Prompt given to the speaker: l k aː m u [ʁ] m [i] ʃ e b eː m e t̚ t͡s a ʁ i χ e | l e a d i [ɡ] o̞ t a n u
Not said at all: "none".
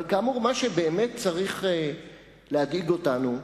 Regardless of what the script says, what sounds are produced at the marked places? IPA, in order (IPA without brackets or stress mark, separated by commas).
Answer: ʁ, a, ɡ